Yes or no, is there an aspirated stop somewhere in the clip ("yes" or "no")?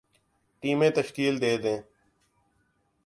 no